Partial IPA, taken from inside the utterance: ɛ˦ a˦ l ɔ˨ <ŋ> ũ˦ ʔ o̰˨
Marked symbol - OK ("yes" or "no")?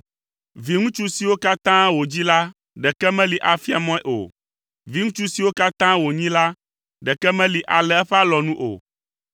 no